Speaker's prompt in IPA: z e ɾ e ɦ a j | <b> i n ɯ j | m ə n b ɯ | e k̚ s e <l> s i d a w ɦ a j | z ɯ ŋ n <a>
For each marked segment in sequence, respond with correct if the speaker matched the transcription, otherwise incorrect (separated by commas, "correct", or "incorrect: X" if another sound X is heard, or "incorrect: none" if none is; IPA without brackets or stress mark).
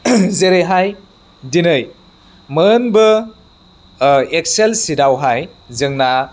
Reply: incorrect: d, correct, correct